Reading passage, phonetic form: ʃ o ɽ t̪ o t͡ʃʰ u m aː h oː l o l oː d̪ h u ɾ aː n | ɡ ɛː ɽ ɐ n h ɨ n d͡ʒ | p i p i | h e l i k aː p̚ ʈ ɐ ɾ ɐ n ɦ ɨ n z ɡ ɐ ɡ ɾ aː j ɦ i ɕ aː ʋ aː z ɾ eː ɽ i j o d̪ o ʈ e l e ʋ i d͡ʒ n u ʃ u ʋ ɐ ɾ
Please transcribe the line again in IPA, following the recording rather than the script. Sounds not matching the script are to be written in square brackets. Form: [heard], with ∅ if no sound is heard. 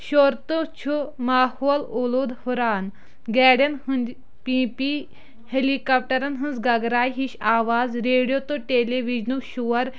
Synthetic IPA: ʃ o [ɾ] t̪ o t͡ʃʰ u m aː h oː l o l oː d̪ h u ɾ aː n | ɡ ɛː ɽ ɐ n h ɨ n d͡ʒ | p i p i | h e l i k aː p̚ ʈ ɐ ɾ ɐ n ɦ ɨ n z ɡ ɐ ɡ ɾ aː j ɦ i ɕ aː ʋ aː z ɾ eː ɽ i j o [t̪] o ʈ e l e ʋ i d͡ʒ n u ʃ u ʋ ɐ ɾ